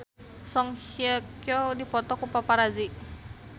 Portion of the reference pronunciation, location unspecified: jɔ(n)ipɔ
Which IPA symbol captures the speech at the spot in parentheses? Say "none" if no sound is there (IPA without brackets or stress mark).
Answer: d